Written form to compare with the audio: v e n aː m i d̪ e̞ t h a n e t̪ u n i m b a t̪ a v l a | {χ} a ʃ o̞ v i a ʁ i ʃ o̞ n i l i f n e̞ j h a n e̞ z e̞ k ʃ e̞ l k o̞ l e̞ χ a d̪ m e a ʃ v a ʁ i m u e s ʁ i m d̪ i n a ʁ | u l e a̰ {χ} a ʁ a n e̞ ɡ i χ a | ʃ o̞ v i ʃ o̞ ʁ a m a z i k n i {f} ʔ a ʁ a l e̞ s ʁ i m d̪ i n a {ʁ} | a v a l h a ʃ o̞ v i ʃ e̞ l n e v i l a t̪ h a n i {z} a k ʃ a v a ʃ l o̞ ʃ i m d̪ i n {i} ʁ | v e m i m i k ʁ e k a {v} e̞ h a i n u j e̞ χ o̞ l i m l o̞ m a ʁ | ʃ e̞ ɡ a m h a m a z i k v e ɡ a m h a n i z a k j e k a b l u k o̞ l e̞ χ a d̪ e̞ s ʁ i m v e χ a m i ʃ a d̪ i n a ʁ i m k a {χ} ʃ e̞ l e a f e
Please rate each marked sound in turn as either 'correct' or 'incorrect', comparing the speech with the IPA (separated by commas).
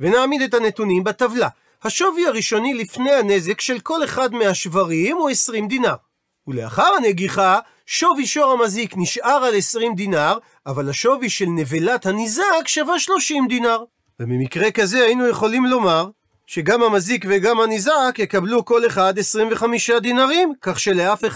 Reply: incorrect, correct, incorrect, correct, correct, incorrect, incorrect, correct